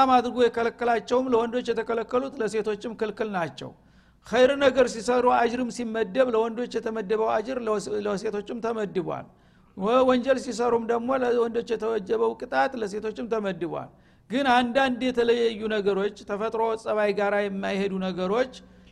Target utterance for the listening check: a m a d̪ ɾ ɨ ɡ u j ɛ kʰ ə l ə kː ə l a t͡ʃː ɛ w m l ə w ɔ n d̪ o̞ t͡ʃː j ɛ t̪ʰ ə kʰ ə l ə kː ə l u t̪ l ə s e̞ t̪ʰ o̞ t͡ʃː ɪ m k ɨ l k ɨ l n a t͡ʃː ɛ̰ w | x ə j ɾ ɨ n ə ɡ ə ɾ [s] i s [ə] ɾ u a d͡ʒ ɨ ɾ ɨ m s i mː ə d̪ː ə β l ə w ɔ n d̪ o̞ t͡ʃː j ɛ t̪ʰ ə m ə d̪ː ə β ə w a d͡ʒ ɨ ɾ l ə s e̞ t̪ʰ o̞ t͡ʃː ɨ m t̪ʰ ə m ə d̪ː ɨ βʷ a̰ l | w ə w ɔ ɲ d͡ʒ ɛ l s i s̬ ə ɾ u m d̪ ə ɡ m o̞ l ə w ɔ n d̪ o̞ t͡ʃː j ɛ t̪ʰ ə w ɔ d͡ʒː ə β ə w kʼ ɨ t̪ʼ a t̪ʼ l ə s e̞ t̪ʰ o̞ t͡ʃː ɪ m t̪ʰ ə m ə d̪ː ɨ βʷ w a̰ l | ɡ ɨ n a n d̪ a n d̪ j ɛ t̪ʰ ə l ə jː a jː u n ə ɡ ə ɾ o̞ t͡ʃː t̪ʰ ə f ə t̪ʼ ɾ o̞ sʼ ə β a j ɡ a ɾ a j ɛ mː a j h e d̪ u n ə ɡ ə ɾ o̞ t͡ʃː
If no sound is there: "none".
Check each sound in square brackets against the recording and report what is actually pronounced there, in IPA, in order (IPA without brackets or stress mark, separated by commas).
s, ə